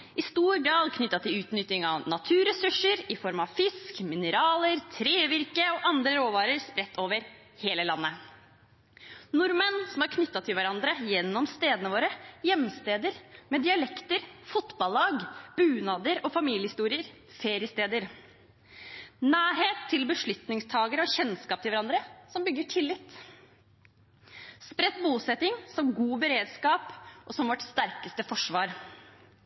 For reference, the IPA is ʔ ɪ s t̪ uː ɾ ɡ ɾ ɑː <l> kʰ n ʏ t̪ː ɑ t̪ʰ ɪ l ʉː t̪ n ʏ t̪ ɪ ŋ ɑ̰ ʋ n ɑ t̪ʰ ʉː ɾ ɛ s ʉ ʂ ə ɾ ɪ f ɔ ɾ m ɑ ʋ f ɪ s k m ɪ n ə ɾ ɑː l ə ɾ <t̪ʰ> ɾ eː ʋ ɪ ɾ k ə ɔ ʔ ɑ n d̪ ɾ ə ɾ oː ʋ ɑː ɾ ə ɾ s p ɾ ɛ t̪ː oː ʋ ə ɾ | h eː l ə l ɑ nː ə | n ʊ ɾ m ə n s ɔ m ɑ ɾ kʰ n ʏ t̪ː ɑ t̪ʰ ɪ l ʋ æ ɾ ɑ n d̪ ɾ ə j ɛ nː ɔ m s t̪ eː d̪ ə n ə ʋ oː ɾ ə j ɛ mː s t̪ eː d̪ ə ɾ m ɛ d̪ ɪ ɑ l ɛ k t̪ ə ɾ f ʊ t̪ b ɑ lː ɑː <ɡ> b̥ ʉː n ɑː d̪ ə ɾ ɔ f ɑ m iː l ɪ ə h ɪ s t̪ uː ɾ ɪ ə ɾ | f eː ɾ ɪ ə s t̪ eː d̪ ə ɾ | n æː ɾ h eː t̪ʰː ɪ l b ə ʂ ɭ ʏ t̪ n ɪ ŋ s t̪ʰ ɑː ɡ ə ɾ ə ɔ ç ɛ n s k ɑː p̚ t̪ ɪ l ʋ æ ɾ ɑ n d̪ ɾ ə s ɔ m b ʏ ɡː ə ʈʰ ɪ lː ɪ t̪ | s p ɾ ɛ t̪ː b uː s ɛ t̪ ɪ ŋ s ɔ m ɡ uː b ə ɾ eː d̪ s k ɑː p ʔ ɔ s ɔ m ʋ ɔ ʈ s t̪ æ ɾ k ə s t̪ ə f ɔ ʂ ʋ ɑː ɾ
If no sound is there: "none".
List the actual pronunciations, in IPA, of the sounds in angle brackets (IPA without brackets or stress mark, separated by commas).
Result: l, t̪ʰ, ɡ